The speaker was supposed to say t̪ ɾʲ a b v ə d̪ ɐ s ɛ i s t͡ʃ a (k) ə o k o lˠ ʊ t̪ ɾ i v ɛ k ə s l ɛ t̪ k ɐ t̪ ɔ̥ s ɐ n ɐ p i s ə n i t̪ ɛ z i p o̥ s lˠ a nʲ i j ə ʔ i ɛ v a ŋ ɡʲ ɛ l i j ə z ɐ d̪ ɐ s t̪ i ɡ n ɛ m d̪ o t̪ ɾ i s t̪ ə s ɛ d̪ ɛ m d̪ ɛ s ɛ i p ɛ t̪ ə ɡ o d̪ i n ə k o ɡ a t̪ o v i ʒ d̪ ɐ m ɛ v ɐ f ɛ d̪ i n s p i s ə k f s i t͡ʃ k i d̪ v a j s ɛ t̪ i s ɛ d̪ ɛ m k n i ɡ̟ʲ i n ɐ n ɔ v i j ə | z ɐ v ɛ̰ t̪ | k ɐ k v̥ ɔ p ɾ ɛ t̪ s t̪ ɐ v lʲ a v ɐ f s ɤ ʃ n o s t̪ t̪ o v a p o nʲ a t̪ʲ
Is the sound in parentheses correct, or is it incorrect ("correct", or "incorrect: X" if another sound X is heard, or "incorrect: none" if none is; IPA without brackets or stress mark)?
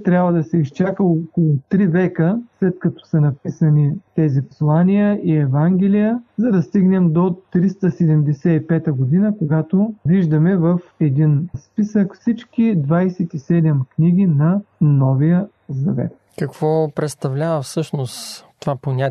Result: correct